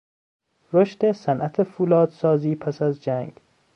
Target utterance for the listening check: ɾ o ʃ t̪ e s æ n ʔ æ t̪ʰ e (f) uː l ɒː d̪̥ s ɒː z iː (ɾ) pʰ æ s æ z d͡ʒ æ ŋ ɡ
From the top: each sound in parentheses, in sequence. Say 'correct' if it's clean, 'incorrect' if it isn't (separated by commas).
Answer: correct, incorrect